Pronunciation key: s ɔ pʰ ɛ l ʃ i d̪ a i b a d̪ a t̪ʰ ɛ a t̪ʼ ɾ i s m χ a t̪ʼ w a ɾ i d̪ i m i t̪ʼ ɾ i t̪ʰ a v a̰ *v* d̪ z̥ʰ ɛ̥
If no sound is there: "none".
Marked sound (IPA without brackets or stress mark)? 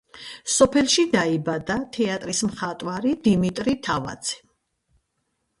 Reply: none